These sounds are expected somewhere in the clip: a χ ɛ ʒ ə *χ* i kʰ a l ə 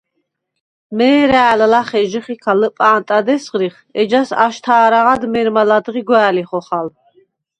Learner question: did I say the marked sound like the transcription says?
yes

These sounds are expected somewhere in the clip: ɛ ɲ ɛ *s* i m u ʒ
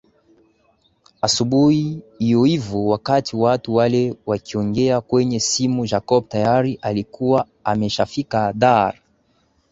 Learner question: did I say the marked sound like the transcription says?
yes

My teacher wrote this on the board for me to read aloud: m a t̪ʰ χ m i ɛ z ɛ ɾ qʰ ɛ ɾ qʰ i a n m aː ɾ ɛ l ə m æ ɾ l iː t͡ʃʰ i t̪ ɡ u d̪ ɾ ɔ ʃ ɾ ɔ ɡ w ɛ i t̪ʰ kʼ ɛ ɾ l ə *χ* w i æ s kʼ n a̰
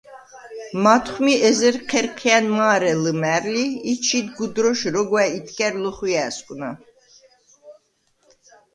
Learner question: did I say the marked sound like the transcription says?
yes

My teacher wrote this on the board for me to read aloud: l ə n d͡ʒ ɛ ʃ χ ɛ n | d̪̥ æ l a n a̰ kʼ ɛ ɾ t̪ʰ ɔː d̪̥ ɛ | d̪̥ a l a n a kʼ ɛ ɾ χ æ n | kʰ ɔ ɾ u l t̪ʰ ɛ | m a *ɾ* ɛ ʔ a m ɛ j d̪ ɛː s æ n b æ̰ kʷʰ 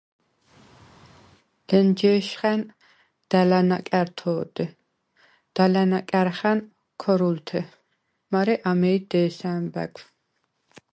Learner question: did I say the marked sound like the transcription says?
yes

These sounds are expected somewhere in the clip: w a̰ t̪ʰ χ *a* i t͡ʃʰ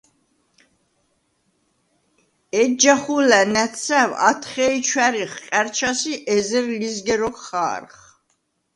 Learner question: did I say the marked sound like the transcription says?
no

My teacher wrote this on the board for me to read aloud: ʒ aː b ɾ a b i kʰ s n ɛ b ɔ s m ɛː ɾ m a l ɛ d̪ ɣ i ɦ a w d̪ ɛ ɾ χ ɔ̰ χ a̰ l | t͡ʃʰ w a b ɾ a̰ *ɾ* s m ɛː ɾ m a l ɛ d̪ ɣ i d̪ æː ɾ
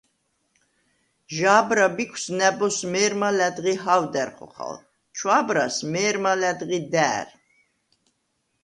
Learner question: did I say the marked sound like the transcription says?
no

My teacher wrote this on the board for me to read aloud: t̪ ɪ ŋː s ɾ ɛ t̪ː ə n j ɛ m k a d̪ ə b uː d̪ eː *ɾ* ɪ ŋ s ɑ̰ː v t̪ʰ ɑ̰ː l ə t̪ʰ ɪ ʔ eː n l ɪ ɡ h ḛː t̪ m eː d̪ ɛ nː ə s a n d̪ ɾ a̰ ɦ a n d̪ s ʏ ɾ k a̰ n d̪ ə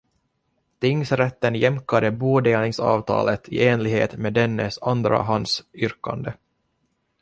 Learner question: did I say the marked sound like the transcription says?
no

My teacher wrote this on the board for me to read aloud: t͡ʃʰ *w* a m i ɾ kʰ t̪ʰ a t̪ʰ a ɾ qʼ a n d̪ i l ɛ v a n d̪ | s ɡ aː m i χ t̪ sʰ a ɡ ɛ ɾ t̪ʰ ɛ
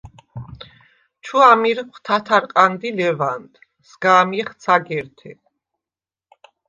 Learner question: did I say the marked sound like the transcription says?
no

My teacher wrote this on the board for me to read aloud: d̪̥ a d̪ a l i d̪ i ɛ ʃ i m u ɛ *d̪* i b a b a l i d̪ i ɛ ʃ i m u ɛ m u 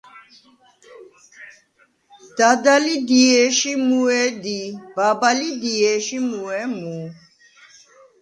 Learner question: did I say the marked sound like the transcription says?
yes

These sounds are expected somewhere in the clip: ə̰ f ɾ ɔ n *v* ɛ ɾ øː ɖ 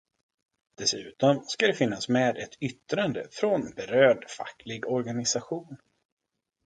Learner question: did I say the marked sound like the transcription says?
no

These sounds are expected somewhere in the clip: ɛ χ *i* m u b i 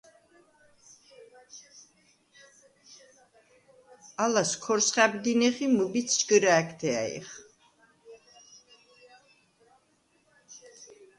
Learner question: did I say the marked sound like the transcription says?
yes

